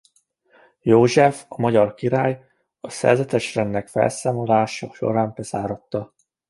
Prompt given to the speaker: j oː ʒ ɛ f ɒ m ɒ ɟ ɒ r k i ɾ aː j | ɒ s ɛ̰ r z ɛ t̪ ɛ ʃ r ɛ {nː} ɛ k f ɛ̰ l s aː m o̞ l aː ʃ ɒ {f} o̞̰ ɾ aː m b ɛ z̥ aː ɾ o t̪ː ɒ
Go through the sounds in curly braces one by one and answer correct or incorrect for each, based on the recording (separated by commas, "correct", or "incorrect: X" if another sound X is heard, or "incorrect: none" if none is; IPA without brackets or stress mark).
correct, incorrect: ʃ